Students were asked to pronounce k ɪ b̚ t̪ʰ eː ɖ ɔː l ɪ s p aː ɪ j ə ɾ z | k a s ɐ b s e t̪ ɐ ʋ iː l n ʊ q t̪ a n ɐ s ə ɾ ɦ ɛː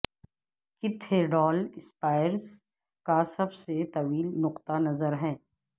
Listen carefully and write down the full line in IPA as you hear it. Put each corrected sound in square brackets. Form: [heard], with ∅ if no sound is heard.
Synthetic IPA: k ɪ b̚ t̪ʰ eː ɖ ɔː l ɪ s p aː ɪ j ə ɾ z | k a s ɐ b s e t̪ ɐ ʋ iː l n ʊ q t̪ a n ɐ [z] ə ɾ ɦ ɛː